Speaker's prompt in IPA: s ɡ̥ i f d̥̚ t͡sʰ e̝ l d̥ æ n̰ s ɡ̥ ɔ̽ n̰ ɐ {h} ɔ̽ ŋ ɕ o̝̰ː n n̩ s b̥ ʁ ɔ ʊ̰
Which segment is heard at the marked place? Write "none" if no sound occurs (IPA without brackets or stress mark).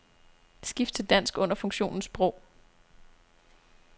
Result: f